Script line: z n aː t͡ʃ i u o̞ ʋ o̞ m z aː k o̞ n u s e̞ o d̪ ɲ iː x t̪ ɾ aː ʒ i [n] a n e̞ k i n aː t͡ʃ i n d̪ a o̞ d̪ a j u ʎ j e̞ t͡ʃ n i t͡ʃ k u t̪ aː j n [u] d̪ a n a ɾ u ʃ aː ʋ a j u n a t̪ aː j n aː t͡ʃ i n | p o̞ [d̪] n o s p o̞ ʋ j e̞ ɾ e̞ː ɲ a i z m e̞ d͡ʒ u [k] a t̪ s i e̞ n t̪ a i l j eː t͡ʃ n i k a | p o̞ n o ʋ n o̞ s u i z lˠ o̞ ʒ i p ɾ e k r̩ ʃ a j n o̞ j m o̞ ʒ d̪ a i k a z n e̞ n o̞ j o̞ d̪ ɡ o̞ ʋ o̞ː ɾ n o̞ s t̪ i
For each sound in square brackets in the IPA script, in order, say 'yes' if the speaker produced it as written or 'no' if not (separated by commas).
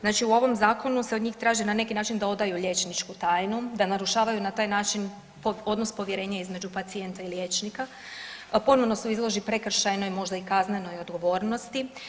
yes, yes, yes, no